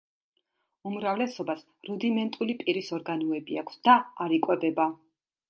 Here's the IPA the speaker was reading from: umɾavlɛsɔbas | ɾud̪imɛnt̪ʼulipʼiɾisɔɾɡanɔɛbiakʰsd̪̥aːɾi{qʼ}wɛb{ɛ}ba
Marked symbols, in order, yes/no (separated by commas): no, yes